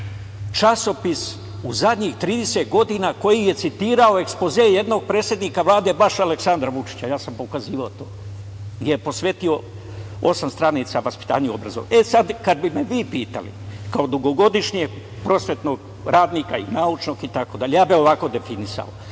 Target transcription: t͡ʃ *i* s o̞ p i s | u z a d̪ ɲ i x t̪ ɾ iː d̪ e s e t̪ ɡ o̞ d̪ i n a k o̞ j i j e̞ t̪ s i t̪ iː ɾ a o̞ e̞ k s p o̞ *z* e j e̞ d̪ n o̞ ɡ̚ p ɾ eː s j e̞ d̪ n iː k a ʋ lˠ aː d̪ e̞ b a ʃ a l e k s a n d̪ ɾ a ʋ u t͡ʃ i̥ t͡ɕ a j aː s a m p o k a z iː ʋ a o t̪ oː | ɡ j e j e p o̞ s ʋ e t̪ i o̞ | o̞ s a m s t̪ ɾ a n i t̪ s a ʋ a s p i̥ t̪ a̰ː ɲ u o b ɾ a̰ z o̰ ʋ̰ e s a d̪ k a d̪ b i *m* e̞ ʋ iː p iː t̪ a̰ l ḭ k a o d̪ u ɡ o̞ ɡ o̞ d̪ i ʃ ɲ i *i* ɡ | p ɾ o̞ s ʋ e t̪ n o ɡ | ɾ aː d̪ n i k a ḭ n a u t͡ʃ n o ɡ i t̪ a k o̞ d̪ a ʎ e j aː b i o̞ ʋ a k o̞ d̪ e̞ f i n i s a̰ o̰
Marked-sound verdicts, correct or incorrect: incorrect: a, correct, correct, incorrect: e

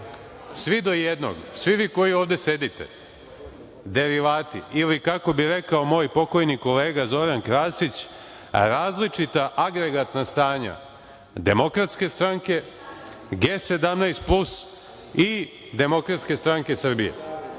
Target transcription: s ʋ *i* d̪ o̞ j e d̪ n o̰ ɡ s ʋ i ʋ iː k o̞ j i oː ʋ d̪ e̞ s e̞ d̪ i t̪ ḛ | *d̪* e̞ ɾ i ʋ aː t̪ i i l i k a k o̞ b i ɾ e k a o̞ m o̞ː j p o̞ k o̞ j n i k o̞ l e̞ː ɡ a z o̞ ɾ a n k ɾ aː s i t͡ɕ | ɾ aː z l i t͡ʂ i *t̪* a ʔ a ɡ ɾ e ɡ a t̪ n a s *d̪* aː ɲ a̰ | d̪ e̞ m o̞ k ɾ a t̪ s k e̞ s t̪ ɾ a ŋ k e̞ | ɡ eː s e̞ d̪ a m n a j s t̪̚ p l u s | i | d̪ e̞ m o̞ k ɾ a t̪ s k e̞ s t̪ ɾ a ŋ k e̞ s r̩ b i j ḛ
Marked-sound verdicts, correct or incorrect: correct, correct, correct, incorrect: t̪

